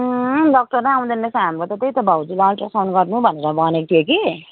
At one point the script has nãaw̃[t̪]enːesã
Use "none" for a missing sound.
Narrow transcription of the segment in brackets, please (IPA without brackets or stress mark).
d̪